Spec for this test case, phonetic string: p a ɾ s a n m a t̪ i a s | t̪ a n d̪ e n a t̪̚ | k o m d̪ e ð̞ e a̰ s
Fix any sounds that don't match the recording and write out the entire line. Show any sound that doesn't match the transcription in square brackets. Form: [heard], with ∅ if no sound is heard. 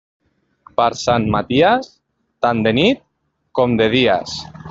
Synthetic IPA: p a ɾ s a n m a t̪ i a s | t̪ a n d̪ e n [i] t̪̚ | k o m d̪ e ð̞ [i] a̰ s